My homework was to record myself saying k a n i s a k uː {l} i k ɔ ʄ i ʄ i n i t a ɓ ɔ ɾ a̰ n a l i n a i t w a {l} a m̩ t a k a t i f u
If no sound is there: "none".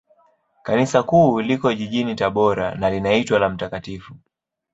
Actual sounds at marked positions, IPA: l, l

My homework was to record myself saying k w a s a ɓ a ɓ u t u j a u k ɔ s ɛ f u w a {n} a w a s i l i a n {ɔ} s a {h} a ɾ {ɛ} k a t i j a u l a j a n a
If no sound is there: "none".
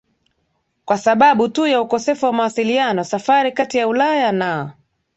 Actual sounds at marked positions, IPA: m, ɔ, f, i

